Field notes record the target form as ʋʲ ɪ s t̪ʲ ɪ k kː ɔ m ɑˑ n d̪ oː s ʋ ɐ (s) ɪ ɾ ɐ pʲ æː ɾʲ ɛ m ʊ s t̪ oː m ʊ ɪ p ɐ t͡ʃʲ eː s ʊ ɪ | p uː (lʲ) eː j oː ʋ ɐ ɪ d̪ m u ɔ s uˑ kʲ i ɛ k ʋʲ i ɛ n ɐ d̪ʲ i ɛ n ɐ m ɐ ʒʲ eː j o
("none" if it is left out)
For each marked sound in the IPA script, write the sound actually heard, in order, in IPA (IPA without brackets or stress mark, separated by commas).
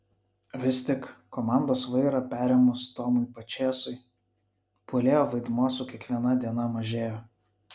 none, lʲ